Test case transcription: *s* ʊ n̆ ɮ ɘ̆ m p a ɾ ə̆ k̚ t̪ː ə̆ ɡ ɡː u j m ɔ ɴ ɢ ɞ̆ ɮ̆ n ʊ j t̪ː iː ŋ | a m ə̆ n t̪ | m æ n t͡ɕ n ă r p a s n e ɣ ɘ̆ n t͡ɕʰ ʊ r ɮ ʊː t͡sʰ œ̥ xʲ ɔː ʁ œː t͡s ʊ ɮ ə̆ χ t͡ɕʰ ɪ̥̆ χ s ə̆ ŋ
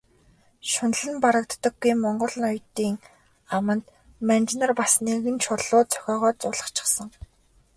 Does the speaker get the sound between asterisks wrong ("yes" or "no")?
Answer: yes